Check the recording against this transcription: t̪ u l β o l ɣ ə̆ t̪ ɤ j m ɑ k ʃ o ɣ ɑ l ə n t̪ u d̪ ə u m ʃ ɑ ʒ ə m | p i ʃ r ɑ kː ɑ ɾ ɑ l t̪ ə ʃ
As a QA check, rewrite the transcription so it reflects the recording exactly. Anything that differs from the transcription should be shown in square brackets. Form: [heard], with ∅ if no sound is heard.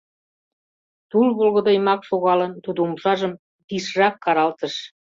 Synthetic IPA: t̪ u l β o l ɣ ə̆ [d̪] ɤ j m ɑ k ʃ o ɣ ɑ l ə n t̪ u d̪ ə u m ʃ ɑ ʒ ə m | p i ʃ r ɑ kː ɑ ɾ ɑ l t̪ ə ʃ